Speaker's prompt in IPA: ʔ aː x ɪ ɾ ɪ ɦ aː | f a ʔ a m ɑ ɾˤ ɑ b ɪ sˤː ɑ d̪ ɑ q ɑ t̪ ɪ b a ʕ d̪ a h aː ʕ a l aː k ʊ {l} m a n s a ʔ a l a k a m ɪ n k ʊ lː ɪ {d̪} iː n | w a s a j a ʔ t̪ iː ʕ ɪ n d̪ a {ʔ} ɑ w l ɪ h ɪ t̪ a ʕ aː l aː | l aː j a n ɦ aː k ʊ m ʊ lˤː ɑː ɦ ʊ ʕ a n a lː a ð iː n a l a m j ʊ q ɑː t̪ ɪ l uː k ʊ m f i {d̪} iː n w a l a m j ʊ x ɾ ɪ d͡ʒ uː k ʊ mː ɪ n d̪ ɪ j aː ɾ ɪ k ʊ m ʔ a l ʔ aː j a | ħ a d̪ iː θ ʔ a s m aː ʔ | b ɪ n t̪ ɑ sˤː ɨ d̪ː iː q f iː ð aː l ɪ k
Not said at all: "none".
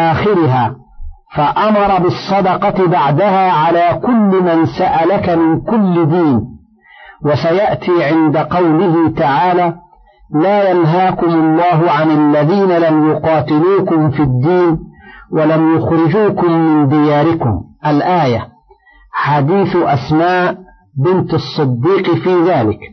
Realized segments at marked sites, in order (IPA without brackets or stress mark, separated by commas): lː, d̪, q, d̪ː